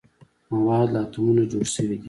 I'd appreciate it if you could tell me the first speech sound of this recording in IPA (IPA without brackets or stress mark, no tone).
m